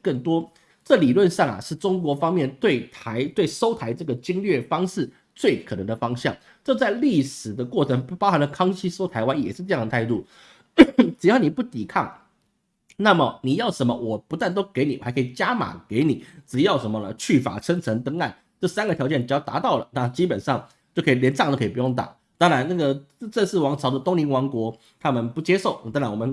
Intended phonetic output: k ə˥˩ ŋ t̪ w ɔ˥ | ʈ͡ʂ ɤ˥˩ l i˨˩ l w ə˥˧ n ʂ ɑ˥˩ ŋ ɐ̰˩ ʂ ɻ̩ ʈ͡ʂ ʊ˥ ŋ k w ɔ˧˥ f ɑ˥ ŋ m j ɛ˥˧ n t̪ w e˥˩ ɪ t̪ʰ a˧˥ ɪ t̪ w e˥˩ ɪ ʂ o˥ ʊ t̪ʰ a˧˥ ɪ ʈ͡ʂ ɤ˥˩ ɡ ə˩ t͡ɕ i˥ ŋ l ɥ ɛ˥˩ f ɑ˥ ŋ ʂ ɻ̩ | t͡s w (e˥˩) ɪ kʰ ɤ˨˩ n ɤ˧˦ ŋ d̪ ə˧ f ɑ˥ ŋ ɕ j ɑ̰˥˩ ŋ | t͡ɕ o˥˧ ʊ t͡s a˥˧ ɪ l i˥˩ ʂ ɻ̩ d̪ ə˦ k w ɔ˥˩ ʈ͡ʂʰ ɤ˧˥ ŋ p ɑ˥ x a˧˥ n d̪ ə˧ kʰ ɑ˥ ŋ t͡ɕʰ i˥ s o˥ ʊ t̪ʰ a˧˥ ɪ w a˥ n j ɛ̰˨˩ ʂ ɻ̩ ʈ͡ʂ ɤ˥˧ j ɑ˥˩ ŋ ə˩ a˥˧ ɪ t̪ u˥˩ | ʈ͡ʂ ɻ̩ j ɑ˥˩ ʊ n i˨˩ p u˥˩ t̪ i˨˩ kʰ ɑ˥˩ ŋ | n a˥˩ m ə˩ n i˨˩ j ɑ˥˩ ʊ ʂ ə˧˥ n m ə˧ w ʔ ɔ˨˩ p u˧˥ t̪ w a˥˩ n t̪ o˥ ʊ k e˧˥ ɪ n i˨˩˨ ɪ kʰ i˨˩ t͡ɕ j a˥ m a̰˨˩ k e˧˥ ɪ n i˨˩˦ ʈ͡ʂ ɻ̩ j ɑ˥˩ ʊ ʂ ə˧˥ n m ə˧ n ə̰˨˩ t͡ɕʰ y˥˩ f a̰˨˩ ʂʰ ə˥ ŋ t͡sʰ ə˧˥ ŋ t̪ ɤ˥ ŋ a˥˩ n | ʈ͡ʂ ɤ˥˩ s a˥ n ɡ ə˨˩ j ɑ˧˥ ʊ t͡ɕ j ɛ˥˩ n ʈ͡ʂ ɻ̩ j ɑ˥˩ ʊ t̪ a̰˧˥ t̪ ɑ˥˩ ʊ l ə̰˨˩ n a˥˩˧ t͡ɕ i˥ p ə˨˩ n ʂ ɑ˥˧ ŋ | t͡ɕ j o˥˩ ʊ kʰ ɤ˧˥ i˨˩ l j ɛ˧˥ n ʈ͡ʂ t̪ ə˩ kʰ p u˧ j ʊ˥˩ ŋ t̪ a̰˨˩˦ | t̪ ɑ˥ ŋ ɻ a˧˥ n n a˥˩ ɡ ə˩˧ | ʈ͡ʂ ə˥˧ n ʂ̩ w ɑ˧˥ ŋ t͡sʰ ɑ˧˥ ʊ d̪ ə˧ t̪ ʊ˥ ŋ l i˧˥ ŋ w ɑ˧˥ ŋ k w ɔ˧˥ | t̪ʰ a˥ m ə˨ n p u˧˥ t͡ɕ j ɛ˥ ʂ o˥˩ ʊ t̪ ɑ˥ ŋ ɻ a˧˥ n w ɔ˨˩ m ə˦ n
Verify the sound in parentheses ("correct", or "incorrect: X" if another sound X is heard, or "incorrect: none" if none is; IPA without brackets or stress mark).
correct